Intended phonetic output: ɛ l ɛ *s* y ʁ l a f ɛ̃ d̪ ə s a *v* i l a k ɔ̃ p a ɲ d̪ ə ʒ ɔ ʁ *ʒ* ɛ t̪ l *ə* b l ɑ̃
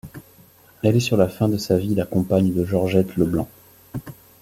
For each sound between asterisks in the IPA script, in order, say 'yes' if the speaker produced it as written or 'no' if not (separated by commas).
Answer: yes, yes, yes, yes